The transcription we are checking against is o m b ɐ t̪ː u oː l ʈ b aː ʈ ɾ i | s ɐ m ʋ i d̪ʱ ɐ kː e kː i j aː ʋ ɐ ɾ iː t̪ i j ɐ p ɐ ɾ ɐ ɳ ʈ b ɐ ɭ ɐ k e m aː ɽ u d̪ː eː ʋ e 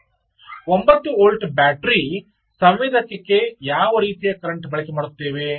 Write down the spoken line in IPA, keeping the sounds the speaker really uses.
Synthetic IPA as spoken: o m b ɐ t̪ː u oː l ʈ b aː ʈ ɾ i | s ɐ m ʋ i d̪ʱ ɐ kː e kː e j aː ʋ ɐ ɾ iː t̪ i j ɐ k ɐ ɾ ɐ ɳ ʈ b ɐ ɭ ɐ k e m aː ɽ u t̪ː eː ʋ e